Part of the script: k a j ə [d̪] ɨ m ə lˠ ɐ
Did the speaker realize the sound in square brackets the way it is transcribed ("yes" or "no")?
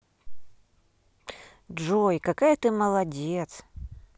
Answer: no